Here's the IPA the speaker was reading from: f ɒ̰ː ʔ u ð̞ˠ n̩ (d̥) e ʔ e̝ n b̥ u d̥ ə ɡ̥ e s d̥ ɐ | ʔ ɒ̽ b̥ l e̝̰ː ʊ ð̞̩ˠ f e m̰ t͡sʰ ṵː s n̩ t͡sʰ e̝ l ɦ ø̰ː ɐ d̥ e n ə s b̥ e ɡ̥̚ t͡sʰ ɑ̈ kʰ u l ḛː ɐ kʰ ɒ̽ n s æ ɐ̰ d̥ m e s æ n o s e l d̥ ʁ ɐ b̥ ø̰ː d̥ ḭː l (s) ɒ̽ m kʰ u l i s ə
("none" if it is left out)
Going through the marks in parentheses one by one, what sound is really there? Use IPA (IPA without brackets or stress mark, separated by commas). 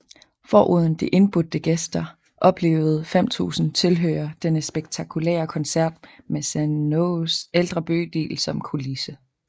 d̥, s